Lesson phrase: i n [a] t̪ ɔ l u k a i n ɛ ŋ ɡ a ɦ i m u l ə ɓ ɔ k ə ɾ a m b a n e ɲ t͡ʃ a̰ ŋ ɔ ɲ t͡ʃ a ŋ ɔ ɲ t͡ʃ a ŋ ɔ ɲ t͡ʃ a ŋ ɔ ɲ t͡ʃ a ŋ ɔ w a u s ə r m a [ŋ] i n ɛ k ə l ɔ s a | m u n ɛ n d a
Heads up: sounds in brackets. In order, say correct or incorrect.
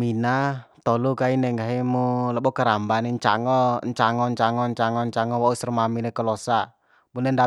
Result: correct, incorrect: m

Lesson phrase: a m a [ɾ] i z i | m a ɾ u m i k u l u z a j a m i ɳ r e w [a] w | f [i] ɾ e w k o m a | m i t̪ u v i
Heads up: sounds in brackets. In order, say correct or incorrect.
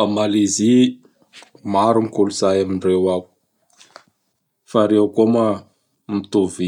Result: incorrect: l, correct, incorrect: a

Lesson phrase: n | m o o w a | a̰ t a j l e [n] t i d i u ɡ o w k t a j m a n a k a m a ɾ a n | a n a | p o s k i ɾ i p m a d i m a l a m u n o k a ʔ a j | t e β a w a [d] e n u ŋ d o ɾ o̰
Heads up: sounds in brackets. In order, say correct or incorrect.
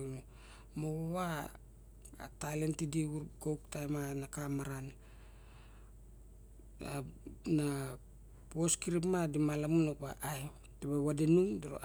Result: correct, correct

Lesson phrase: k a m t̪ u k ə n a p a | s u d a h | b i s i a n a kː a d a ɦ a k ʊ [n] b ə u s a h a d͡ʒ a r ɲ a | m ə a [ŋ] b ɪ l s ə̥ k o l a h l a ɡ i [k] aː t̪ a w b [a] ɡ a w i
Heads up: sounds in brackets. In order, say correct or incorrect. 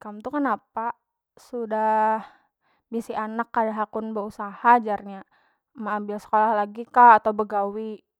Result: correct, incorrect: m, correct, incorrect: ə

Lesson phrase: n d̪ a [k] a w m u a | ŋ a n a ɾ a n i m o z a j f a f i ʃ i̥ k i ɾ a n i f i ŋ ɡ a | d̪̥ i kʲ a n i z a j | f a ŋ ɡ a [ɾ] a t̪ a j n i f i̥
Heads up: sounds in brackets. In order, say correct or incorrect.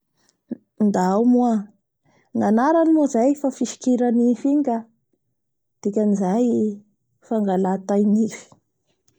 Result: incorrect: none, incorrect: l

